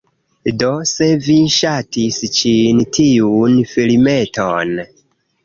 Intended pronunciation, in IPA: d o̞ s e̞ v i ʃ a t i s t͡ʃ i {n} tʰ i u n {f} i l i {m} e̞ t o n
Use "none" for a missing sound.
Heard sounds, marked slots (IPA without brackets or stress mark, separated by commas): n, f, m